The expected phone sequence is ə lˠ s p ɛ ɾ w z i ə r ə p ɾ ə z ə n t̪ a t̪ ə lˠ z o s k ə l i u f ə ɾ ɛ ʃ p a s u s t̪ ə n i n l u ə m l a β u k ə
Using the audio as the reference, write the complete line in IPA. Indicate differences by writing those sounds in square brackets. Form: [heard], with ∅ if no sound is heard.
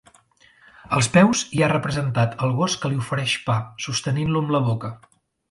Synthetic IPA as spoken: ə lˠ s p ɛ [∅] w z i [a] r ə p ɾ ə z ə n t̪ a t̪ ə lˠ [ɣ] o s k ə l i u f ə ɾ ɛ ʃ p a s u s t̪ ə n i n l u ə m l [ə] β [o] k ə